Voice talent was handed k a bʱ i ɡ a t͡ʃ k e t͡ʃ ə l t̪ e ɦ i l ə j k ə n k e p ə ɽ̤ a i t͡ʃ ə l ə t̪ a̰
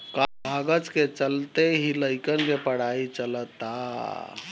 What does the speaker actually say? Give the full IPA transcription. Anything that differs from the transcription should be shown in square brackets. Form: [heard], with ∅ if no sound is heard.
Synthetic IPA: k a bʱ [a] ɡ [ə] t͡ʃ k e t͡ʃ ə l t̪ e ɦ i l ə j k ə n k e p ə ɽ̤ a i t͡ʃ ə l ə t̪ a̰